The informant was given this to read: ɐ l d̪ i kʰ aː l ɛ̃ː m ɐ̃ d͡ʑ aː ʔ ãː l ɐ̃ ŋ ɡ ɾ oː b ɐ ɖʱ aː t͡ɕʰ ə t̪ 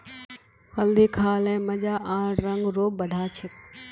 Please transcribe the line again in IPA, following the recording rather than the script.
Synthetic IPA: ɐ l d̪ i kʰ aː l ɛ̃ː m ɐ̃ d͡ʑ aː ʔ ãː ɾ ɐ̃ ŋ ɡ ɾ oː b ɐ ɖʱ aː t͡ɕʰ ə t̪